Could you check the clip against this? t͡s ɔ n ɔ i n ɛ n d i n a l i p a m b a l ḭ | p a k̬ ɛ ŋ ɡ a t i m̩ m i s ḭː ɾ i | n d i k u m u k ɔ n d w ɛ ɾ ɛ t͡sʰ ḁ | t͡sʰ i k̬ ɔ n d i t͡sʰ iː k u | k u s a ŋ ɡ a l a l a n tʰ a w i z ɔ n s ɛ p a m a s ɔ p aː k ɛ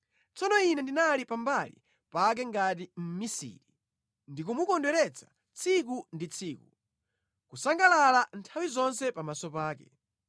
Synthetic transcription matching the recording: t͡s ɔ n ɔ i n ɛ n d i n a l i p a m b a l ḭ | p a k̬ ɛ ŋ ɡ a t i m̩ m i s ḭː ɾ i | n d i k u m u k ɔ n d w ɛ ɾ ɛ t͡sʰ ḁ | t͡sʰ i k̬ u n d i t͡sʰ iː k u | k u s a ŋ ɡ a l a l a n tʰ a w i z ɔ n s ɛ p a m a s ɔ p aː k ɛ